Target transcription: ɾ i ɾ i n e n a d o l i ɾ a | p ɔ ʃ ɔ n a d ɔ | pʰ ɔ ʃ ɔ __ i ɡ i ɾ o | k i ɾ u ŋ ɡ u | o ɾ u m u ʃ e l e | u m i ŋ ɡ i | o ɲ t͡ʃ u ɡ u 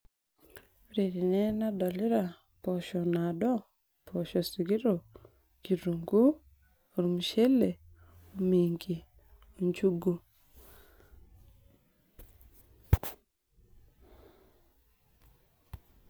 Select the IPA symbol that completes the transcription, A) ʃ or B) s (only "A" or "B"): B